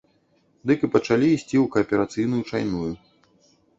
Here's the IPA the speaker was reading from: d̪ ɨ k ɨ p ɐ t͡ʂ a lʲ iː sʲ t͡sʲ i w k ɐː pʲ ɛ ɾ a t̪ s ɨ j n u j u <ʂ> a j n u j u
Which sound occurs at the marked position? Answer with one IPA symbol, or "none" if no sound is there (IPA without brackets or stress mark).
t͡ʂ